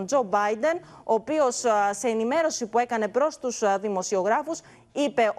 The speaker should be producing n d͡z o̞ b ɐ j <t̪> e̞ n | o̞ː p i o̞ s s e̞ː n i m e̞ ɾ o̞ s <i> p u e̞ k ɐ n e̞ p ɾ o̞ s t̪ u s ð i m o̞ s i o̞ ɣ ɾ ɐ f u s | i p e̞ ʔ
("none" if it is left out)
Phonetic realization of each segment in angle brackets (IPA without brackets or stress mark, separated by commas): d̪, i